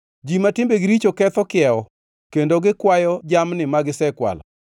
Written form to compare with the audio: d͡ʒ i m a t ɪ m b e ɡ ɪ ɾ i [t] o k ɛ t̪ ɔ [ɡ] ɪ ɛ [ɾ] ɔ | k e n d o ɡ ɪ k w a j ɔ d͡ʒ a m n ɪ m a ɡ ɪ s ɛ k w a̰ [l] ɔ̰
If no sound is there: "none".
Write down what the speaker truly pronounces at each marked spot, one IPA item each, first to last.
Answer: t͡ʃ, k, none, l

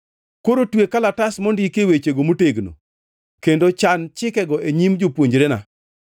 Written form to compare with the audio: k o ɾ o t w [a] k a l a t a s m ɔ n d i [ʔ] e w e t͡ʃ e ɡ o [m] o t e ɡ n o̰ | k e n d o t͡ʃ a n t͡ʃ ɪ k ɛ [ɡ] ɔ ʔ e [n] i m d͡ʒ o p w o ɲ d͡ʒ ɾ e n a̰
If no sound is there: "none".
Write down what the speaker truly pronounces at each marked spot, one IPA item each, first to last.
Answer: e, k, m, ɡ, ɲ

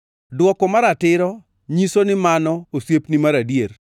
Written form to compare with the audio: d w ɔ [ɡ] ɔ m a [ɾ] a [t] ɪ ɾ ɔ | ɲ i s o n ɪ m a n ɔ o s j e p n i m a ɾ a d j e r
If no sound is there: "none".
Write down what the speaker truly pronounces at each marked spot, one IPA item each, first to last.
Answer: k, ɾ, t

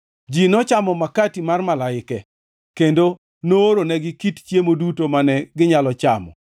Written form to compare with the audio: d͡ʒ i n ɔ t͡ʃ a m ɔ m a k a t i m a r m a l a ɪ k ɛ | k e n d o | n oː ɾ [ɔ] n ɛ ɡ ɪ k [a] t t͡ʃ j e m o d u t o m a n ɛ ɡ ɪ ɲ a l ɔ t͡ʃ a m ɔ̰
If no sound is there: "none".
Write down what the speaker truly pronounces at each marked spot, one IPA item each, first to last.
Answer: o, i

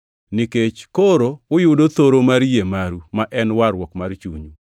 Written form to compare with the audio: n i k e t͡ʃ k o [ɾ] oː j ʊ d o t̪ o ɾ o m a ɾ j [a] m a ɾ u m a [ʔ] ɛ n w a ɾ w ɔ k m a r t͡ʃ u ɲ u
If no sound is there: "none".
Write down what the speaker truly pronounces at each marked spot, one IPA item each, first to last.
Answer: ɾ, e, ʔ

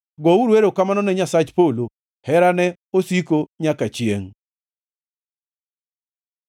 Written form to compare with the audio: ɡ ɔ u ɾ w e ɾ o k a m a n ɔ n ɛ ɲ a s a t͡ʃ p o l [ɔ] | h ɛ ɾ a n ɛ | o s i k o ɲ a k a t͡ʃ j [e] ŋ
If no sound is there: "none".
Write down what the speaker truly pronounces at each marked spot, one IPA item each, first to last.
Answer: o, e

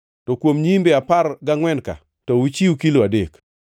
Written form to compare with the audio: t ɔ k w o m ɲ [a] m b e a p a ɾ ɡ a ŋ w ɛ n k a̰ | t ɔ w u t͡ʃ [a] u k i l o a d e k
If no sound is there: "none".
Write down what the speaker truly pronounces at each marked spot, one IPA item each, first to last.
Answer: i, i

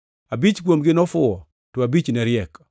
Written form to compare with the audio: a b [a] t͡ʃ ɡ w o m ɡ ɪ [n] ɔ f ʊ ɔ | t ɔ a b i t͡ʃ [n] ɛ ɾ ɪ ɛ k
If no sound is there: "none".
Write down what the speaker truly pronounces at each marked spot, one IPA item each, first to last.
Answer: i, n, n

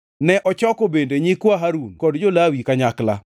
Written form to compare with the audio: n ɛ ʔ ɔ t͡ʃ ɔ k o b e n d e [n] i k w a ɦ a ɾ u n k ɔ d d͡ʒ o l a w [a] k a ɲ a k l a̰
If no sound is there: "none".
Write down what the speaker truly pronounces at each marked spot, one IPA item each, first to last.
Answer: ɲ, i

